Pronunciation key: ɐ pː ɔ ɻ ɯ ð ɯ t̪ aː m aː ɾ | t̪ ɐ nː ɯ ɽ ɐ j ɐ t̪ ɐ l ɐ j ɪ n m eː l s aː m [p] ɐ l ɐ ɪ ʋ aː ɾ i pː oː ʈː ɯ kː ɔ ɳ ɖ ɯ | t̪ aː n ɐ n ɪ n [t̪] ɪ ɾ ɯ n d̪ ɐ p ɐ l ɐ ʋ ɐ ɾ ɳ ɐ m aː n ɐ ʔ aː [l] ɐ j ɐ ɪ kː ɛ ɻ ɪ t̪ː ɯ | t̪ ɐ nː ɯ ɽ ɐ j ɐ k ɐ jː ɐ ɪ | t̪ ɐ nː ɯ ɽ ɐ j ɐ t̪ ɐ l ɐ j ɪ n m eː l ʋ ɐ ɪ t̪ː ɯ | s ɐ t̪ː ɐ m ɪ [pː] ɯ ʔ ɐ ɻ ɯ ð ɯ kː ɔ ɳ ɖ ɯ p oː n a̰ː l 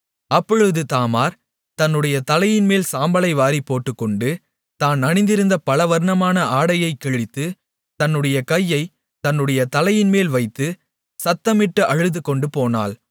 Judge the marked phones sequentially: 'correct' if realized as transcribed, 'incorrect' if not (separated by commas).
incorrect, incorrect, incorrect, incorrect